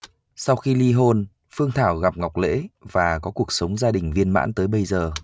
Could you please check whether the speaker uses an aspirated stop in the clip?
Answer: yes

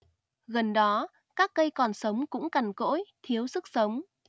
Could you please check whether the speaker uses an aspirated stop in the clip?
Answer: yes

